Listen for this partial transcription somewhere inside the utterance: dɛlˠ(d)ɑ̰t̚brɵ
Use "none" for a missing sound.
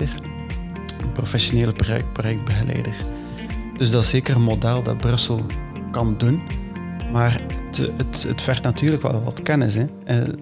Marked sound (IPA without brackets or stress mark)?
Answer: d